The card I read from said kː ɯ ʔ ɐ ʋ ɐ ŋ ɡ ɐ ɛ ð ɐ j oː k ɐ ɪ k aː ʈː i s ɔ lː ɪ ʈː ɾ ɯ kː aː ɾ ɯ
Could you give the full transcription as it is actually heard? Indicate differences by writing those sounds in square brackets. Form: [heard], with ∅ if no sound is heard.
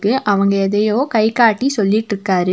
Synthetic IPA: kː ɯ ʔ ɐ ʋ ɐ ŋ ɡ ɐ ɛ ð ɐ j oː k ɐ ɪ k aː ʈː i s ɔ lː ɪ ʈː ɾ ɯ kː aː ɾ ɯ